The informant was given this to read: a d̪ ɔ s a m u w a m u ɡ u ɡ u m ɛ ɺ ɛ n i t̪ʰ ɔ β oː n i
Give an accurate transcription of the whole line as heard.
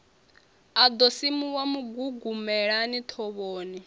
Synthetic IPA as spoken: a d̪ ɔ s i m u w a m u ɡ u ɡ u m ɛ ɺ a n i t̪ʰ ɔ β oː n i